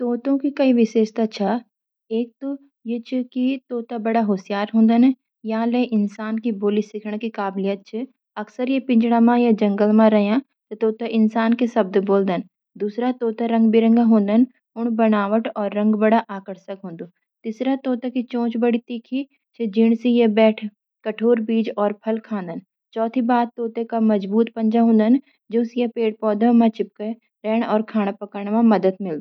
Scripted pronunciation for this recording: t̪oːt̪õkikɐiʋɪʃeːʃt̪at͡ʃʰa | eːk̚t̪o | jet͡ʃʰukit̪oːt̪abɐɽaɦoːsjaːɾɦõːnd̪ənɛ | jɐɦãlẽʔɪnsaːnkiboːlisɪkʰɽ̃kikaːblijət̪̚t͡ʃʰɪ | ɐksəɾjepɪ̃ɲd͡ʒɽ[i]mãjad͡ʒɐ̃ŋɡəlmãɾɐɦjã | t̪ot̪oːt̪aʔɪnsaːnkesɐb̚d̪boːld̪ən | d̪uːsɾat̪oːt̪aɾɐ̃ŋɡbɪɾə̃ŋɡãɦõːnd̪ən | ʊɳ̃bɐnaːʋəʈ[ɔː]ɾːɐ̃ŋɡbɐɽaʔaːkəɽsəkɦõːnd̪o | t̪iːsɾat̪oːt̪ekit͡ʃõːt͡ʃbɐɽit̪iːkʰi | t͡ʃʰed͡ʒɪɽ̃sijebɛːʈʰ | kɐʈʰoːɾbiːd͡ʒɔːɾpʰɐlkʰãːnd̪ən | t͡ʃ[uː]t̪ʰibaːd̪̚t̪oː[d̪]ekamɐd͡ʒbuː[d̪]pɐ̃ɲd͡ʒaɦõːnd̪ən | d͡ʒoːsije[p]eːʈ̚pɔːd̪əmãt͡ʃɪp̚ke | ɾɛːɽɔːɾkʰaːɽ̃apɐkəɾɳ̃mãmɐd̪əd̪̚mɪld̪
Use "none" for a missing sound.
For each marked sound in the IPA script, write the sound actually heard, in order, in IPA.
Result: a, ɔː, ɔː, t̪, t̪, p

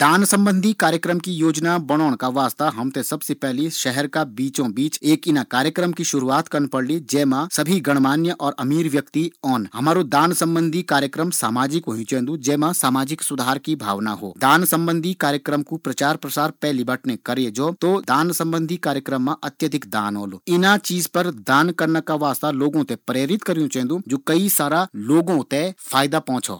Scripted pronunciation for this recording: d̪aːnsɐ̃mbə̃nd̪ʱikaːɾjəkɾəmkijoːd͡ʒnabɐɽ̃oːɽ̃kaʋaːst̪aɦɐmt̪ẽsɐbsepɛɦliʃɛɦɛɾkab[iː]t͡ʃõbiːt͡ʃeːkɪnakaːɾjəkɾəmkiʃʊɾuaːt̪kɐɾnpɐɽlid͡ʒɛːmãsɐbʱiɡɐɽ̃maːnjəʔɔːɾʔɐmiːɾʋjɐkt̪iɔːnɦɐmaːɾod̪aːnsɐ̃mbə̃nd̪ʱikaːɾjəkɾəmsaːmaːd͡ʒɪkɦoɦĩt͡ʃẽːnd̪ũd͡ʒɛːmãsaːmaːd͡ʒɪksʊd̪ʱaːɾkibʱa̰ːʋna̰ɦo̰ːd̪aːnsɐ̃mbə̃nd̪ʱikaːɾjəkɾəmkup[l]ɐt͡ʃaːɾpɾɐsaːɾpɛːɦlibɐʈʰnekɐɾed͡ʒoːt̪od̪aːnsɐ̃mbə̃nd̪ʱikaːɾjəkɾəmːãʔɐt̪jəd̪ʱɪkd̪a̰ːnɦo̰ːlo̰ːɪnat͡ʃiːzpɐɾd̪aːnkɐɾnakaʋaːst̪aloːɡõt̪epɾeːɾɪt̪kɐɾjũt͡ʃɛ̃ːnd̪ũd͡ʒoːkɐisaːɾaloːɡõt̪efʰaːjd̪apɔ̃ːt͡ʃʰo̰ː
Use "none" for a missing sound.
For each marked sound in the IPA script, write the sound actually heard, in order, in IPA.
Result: iː, ɾ

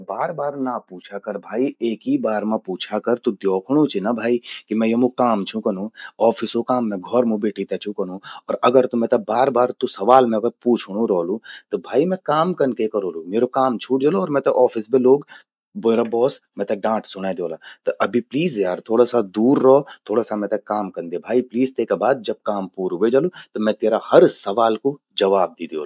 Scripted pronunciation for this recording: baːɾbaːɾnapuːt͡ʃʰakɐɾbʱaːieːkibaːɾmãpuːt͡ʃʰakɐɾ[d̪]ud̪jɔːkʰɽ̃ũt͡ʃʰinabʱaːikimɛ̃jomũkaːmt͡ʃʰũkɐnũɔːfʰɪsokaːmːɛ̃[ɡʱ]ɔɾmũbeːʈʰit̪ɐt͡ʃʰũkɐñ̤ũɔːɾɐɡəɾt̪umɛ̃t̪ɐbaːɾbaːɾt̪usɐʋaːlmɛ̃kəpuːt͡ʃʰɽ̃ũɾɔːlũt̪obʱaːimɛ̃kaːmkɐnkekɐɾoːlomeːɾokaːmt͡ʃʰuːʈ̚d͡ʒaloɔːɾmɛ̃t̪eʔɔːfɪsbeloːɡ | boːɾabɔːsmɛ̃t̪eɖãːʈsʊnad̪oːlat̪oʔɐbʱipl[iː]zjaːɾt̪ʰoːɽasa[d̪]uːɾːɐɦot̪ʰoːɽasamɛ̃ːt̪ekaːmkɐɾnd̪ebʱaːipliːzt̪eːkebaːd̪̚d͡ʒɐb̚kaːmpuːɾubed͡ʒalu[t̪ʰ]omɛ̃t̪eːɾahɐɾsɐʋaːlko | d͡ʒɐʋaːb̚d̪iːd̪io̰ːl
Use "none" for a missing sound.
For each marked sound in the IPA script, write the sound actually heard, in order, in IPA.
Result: t̪, ɡʱ, iː, d̪, t̪

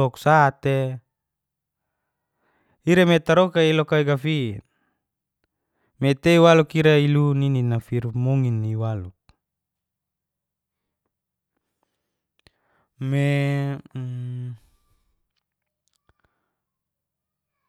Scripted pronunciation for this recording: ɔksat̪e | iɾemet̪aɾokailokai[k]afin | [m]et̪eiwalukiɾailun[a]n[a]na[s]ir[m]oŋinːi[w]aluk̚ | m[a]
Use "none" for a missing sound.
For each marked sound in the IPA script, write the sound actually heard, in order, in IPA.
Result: ɡ, m, i, i, f, m, w, e

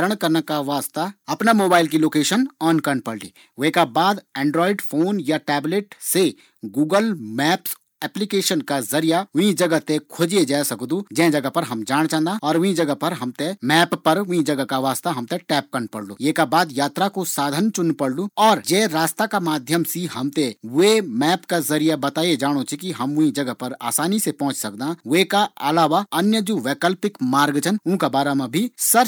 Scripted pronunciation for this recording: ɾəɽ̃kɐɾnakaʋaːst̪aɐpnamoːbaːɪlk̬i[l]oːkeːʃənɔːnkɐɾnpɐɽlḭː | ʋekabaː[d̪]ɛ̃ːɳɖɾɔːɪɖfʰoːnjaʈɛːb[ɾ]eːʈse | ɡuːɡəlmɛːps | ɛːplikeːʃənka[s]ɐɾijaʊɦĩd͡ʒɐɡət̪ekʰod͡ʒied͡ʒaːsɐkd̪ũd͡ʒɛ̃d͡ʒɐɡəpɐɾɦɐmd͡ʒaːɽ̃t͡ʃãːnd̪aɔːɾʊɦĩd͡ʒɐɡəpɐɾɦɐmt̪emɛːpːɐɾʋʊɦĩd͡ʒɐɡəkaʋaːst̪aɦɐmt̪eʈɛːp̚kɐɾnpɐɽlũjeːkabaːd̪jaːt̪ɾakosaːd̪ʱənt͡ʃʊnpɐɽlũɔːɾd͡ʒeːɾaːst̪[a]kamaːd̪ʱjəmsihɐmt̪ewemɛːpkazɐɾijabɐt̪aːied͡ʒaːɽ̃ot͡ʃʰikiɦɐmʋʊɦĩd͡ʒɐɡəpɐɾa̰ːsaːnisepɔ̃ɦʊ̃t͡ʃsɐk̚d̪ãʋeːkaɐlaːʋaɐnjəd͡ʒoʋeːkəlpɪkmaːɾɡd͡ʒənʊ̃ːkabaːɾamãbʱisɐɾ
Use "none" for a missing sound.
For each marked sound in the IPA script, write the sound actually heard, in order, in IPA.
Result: l, d̪, l, z, a

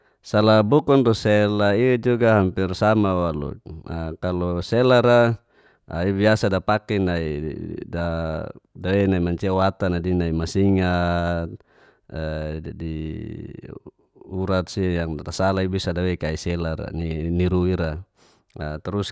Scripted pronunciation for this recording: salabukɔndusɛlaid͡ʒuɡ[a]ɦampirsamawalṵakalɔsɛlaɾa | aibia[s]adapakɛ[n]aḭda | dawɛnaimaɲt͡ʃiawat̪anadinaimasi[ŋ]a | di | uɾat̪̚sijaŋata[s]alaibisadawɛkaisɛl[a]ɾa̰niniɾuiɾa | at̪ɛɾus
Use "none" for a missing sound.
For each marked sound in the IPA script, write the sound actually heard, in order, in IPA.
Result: a, s, n, ŋ, s, a

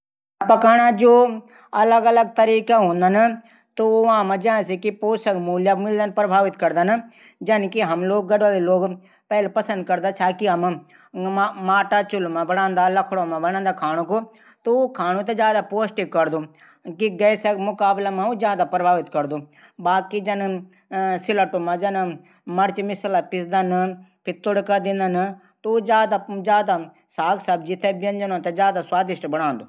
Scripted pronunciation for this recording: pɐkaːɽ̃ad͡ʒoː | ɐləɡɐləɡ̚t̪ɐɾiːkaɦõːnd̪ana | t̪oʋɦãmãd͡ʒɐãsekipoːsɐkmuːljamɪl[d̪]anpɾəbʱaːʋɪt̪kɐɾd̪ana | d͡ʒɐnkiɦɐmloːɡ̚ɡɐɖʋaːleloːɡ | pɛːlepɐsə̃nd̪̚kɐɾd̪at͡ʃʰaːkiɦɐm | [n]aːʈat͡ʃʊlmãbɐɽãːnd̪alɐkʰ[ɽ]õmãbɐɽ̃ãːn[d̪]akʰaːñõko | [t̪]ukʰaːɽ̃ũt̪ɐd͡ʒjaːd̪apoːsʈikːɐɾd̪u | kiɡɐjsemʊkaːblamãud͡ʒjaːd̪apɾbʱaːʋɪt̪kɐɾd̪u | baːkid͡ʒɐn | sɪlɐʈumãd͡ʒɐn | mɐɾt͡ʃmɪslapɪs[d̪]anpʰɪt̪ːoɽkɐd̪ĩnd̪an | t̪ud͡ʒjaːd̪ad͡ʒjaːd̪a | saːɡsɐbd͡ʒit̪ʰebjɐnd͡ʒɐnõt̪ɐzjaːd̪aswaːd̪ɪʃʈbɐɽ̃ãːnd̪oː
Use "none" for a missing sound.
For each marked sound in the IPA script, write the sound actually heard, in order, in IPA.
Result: d̪, m, ɽ, d̪, t̪, d̪

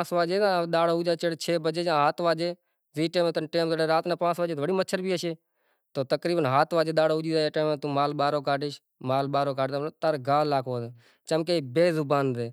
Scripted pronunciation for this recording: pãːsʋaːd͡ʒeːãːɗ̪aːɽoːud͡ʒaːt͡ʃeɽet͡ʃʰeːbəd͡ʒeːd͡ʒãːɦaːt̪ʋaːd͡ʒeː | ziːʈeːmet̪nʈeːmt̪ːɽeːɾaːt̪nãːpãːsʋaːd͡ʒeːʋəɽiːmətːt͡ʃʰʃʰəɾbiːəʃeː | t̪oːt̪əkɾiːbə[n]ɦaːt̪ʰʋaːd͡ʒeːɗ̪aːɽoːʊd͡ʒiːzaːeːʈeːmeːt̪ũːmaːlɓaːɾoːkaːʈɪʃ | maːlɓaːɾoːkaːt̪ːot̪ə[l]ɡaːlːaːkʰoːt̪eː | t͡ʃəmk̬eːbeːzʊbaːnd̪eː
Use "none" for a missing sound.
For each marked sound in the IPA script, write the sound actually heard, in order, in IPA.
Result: n, ɾ

